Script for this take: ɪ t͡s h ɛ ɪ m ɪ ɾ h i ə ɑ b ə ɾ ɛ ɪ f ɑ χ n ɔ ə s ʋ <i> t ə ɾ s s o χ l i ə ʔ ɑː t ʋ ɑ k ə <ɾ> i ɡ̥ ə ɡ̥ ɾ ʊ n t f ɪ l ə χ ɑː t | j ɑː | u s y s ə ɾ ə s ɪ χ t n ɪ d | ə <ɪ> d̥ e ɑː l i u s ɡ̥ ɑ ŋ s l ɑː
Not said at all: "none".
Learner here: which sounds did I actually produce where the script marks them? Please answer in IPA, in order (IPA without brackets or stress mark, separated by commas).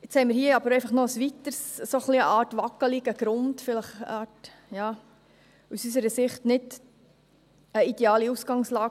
i, l, i